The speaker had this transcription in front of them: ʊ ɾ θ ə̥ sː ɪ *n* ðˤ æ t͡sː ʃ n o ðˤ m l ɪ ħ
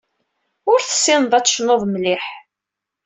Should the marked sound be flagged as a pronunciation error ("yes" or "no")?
no